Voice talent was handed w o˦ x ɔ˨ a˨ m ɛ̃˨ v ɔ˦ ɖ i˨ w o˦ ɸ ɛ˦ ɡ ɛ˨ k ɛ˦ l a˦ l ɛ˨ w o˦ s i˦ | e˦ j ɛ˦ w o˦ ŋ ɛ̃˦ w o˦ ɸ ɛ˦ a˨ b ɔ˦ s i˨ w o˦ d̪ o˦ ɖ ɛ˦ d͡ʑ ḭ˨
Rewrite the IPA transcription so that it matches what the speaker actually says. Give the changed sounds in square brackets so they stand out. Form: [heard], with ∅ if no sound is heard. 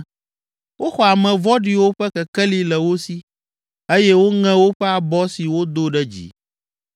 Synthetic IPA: w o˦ x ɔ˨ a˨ m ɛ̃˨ v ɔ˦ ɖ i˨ w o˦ ɸ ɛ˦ [k] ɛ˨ k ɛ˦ l [i˦] l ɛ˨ w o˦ s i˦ | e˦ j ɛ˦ w o˦ ŋ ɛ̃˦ w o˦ ɸ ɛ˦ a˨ b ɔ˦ s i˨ w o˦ d̪ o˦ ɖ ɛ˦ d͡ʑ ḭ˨